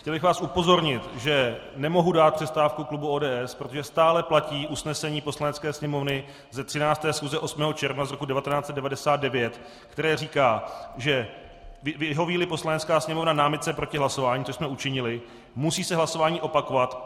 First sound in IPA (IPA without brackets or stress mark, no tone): x